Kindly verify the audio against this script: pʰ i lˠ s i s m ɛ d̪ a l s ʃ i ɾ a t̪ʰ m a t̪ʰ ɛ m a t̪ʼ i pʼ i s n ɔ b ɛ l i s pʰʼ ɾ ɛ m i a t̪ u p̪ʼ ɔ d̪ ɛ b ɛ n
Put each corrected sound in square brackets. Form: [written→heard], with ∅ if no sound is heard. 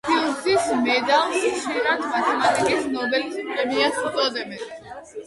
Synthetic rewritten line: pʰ i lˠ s i s m ɛ d̪ a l s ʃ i ɾ a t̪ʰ m a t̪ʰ ɛ m a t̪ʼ i [pʼ→kʼ] i s n ɔ b ɛ l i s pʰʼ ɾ ɛ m i a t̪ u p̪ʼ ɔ d̪ ɛ b ɛ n